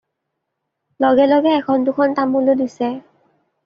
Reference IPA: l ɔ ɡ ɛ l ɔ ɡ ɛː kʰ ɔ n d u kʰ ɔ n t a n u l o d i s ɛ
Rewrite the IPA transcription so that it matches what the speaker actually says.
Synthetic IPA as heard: l ɔ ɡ ɛ l ɔ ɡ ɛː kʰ ɔ n d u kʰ ɔ n t a m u l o d i s ɛ